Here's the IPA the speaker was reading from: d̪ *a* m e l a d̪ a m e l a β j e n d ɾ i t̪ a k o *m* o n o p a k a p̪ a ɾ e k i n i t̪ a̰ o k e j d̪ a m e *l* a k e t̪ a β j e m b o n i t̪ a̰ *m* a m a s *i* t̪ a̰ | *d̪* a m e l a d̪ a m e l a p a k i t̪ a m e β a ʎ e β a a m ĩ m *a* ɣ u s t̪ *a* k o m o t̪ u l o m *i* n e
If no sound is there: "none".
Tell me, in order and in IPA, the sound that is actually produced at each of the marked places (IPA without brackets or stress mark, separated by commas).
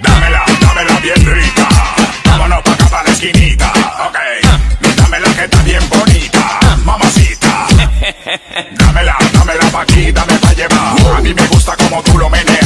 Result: a, m, l, m, i, d̪, e, a, e